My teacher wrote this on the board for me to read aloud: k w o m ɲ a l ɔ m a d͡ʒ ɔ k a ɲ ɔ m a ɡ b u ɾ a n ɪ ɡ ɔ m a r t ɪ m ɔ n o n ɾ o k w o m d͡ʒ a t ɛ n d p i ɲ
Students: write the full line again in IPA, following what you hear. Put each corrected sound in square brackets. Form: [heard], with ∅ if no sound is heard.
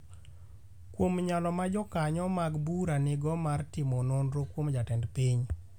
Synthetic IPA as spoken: k w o m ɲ a l ɔ m a d͡ʒ ɔ k a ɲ ɔ m a ɡ b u ɾ a n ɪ ɡ ɔ m a r t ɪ m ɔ n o n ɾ o k w o m d͡ʒ a t ɛ n d p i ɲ